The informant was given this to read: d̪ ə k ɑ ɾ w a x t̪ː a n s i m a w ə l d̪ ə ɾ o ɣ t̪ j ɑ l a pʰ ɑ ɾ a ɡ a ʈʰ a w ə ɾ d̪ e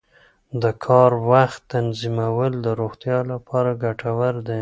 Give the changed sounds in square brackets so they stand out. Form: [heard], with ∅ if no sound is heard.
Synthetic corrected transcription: d̪ ə [kʰ] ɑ ɾ w a x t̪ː a n [z] i m a w ə l d̪ ə ɾ o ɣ t̪ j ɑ l a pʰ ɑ ɾ a ɡ a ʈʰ a w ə ɾ d̪ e